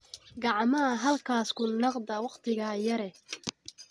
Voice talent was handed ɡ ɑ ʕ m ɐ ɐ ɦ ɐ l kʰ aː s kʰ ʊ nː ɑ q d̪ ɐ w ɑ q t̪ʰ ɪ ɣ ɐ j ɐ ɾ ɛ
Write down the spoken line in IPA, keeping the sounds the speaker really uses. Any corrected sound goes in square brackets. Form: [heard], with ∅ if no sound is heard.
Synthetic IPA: ɡ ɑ ʕ m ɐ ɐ ɦ ɐ l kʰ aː s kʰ ʊ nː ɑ q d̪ ɐ w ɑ q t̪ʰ ɪ ɣ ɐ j ɐ ɾ ɛ